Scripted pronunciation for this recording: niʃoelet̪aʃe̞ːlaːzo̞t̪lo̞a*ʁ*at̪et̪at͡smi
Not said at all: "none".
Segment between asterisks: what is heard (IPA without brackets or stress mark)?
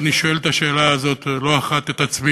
χ